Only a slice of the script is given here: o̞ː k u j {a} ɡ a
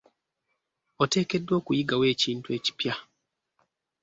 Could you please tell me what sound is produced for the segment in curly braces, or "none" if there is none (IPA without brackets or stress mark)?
i